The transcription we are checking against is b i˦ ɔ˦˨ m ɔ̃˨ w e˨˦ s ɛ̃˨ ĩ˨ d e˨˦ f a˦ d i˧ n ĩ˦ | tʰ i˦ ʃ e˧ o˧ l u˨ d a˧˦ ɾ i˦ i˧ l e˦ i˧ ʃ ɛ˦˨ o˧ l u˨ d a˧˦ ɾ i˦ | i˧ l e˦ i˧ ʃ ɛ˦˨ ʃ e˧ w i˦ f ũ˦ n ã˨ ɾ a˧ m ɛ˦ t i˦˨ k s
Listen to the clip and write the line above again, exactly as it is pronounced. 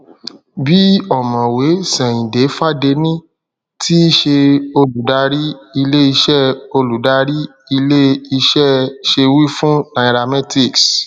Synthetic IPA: b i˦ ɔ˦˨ m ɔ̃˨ w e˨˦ s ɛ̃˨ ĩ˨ d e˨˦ f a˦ d e˧ n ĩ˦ | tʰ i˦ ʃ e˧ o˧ l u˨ d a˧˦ ɾ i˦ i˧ l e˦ i˧ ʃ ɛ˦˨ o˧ l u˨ d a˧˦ ɾ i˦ | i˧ l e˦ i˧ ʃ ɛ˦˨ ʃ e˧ w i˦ f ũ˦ n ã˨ ɾ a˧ m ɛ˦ t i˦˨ k s